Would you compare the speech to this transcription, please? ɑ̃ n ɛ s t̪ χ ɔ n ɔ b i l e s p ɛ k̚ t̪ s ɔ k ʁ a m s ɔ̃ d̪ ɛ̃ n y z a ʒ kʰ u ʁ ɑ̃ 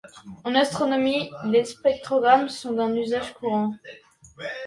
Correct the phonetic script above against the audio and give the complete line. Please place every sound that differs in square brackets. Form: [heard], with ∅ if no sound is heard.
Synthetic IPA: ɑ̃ n [a] s t̪ χ ɔ n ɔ [m] i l e s p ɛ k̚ t̪ [χ] ɔ [ɡ] ʁ a m s ɔ̃ d̪ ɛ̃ n y z a ʒ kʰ u ʁ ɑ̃